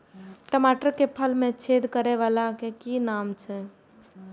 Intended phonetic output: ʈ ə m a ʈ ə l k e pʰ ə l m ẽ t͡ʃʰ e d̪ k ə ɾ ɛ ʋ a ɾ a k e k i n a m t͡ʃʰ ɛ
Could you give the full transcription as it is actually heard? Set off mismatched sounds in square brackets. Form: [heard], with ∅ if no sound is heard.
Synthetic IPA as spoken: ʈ ə m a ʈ ə [ɾ] k e pʰ ə l m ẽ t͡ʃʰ e d̪ k ə ɾ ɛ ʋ a [l] a k e k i n a m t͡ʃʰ ɛ